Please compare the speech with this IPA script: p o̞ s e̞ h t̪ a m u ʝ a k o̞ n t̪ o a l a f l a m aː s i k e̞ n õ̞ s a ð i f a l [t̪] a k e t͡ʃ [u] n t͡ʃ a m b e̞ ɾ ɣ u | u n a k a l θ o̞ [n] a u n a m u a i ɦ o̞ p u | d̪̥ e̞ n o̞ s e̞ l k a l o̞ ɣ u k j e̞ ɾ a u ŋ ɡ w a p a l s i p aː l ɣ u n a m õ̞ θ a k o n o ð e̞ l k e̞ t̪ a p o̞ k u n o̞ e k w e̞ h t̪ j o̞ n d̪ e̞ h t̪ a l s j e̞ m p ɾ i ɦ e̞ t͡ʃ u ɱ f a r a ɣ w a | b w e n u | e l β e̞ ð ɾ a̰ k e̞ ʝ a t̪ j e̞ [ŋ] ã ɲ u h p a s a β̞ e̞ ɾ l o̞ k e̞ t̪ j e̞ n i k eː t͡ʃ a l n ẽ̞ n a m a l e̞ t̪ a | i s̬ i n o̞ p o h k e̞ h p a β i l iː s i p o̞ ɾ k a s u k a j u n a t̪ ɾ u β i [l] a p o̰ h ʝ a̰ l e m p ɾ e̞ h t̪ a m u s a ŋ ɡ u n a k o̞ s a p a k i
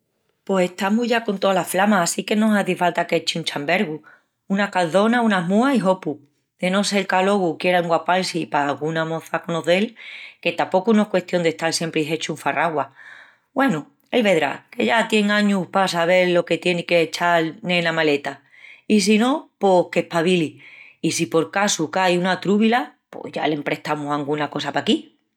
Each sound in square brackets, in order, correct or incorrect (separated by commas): correct, correct, correct, correct, correct